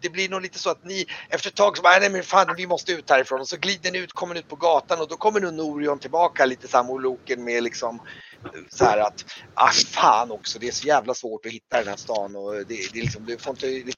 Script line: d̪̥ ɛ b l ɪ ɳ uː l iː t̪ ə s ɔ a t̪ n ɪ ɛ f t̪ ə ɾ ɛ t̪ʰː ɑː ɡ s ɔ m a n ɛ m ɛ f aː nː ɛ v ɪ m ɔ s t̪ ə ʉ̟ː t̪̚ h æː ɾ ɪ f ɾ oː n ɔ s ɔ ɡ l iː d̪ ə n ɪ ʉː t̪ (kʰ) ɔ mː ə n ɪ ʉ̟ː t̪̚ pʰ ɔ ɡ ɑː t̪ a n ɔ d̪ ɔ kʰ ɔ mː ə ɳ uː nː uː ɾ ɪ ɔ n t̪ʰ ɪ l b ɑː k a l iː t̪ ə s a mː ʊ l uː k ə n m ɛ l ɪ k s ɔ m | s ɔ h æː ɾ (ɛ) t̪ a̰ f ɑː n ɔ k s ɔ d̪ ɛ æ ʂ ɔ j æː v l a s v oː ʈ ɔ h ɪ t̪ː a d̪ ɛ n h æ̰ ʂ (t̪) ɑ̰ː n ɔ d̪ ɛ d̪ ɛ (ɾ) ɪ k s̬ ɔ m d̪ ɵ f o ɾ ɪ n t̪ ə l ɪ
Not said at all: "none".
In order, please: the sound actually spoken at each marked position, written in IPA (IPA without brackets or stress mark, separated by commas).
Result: kʰ, a, t̪, l